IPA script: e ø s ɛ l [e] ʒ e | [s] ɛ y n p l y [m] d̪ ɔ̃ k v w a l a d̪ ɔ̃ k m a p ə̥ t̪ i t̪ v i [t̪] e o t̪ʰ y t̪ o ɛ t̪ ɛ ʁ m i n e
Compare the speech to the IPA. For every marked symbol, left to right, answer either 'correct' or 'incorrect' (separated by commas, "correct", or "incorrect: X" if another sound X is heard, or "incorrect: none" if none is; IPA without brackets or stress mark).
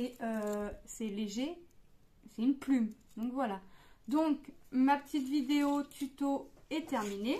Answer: correct, correct, correct, incorrect: d̪